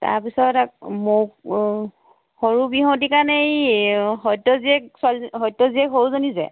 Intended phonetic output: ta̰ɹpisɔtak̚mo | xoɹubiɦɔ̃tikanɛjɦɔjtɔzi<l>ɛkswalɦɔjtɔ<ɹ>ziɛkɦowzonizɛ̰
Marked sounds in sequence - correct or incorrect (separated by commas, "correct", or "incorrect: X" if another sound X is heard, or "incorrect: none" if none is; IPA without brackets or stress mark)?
incorrect: none, incorrect: none